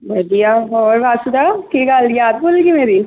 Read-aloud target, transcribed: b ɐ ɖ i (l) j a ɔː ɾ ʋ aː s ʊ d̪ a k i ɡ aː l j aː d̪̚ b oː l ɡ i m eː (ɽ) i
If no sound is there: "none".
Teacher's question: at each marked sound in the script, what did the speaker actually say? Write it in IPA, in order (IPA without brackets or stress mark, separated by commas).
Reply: none, ɾ